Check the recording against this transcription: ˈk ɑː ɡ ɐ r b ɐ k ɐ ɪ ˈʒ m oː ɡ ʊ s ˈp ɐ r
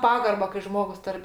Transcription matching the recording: ˈp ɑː ɡ ɐ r b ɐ k ɐ ɪ ˈʒ m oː ɡ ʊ s ˈt ɐ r